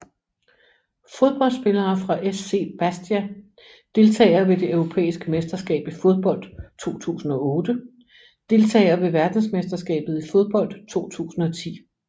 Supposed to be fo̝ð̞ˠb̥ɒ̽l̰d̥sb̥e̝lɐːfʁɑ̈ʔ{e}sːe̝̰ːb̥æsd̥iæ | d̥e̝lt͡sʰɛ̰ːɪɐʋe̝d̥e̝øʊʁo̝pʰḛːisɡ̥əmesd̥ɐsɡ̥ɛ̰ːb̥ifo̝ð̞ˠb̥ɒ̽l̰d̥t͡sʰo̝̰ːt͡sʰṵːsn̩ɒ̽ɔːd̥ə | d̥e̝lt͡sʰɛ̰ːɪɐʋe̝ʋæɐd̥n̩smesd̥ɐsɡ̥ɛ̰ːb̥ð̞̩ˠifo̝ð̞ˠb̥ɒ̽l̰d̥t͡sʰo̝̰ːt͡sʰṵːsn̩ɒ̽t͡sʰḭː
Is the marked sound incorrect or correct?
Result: correct